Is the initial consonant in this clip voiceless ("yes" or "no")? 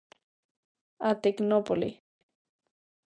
yes